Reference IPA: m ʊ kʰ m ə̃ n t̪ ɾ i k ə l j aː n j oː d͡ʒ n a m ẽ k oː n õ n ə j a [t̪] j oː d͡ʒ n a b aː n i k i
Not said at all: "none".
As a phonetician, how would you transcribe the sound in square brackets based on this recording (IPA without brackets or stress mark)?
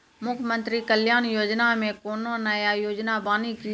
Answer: none